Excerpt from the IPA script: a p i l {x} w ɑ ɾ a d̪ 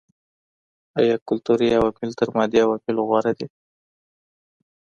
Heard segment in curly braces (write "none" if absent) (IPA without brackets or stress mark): ɣ